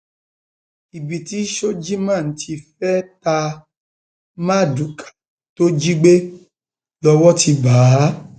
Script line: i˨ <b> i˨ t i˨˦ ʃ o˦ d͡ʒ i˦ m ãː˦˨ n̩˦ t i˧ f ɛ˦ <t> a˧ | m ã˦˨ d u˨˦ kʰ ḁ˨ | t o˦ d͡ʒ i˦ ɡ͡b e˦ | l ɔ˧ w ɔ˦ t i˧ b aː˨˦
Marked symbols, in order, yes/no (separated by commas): yes, yes